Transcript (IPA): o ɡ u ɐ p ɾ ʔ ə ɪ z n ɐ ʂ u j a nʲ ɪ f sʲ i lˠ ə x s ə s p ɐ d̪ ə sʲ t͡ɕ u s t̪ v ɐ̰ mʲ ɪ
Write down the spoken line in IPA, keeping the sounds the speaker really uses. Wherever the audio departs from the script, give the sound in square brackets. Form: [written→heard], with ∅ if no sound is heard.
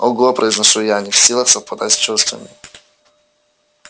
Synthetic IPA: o ɡ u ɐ p ɾ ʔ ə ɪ z n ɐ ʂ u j a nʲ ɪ f sʲ i lˠ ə x s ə [s→f] p ɐ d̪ [ə→a] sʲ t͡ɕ u s t̪ v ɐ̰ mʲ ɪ